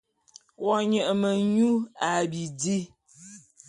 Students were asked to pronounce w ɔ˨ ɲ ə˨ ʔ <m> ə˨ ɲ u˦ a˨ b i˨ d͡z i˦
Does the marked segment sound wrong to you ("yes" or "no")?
no